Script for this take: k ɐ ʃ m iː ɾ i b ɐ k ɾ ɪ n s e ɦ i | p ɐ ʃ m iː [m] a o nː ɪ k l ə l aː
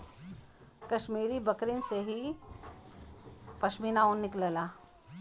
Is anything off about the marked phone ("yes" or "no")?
yes